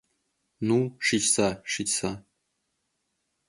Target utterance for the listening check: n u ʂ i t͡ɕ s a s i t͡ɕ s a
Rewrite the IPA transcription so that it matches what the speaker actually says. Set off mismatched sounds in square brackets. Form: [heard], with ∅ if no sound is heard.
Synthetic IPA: n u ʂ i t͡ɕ s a [ʂ] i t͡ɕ s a